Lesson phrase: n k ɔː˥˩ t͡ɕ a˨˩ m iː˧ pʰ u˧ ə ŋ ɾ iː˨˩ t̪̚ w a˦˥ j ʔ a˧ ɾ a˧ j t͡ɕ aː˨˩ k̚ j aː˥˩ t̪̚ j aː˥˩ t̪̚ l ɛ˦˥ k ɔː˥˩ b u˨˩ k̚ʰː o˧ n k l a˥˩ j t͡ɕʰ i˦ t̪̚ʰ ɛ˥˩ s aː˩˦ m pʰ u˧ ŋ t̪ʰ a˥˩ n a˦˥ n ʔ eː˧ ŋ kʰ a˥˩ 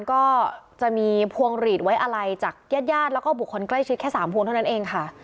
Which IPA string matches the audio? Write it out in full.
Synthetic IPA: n k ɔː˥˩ t͡ɕ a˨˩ m iː˧ pʰ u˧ ə ŋ ɾ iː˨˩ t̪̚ w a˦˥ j ʔ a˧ ɾ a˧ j t͡ɕ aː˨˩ k̚ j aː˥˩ t̪̚ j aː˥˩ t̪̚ l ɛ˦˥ k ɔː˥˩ b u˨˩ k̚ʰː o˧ n k l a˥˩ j t͡ɕʰ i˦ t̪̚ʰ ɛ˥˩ s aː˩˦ m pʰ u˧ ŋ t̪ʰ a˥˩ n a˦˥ n ʔ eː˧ ŋ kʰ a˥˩